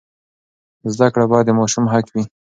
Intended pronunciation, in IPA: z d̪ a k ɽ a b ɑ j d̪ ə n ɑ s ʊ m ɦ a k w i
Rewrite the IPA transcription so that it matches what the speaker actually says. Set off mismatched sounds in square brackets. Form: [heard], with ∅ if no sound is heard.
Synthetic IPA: z d̪ a k ɽ a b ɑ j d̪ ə [m] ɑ [ʃ] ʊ m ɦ a k w i